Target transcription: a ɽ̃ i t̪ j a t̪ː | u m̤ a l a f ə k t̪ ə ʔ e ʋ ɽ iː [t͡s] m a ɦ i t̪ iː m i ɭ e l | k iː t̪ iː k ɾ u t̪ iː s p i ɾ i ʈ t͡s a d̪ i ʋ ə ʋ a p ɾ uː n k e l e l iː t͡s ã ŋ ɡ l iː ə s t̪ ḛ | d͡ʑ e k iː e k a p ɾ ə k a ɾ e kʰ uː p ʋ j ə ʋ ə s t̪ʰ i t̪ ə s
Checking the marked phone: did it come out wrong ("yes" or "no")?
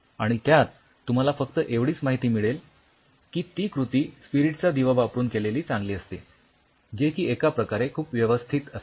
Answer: no